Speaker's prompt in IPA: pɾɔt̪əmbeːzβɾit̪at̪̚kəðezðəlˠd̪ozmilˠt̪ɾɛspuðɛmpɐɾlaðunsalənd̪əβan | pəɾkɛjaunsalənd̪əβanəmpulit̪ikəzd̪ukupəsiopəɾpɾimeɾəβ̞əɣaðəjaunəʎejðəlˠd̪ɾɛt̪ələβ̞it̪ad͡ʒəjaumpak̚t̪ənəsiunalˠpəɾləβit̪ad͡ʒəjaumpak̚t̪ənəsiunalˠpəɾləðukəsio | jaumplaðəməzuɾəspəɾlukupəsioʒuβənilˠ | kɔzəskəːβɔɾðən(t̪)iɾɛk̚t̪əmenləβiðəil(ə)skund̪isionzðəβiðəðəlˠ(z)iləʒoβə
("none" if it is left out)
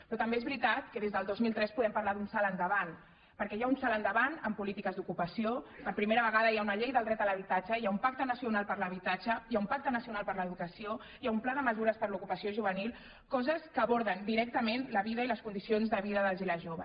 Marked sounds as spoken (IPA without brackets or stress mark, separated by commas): d̪, ə, z